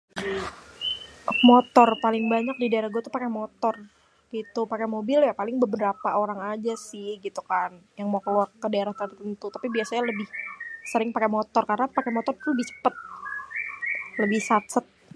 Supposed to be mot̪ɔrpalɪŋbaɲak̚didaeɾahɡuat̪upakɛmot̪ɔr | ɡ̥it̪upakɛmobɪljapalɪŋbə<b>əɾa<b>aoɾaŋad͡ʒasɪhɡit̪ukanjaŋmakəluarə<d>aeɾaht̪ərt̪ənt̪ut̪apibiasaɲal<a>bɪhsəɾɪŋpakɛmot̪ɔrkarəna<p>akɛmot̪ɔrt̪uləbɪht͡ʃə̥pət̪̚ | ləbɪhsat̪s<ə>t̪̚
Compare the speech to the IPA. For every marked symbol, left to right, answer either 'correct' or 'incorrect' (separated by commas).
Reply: correct, incorrect, correct, incorrect, correct, correct